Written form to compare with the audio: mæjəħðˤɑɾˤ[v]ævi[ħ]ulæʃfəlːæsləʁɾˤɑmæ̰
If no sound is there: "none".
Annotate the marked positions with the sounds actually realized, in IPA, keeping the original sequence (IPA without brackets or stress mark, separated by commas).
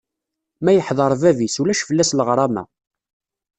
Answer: v, s